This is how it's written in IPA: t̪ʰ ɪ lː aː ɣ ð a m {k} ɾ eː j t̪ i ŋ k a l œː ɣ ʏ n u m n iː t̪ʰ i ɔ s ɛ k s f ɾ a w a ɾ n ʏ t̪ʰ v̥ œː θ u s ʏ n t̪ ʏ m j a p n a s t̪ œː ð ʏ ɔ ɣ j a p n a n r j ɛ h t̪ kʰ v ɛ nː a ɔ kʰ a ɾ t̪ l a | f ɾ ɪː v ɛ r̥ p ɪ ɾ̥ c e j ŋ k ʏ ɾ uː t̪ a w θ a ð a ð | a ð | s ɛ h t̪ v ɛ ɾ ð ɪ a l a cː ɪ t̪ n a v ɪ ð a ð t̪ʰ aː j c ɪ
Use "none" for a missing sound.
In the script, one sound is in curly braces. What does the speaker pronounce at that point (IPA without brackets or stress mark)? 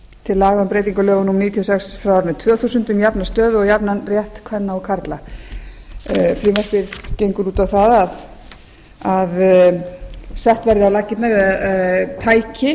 p